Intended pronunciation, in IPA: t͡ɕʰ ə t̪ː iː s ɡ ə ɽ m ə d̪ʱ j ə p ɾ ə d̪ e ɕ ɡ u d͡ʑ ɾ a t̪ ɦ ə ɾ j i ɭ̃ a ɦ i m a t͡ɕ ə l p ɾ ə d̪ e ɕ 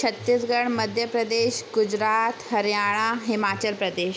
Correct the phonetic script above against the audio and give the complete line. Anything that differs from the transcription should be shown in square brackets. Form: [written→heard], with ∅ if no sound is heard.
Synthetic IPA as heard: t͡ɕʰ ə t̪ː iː s ɡ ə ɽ m ə d̪ʱ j ə p ɾ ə d̪ e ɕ ɡ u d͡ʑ ɾ a t̪ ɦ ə ɾ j [i→a] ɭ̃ a ɦ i m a t͡ɕ ə l p ɾ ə d̪ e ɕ